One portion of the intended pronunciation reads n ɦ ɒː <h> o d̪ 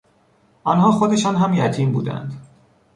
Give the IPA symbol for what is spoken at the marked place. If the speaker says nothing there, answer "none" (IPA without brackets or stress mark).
x